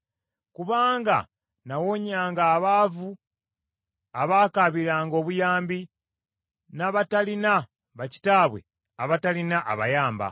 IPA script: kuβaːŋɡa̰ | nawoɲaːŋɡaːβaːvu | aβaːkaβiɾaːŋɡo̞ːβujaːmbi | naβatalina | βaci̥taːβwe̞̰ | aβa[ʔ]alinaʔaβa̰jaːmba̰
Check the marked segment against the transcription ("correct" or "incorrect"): incorrect